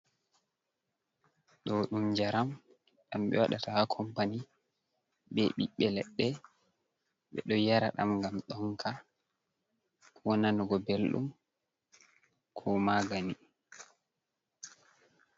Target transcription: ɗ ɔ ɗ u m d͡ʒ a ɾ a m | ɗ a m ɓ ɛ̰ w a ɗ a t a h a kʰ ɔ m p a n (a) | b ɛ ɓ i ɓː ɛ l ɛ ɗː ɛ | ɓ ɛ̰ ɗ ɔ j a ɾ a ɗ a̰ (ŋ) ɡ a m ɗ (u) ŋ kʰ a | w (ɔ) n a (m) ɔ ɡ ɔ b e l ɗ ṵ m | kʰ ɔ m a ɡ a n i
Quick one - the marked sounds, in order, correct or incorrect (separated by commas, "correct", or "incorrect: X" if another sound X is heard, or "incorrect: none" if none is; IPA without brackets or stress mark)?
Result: incorrect: i, incorrect: m, incorrect: ɔ, correct, incorrect: n